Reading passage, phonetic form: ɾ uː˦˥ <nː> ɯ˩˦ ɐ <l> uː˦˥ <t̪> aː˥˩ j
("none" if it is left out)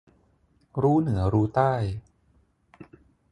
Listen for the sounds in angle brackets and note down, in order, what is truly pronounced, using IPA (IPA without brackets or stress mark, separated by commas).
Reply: n, ɾ, t̪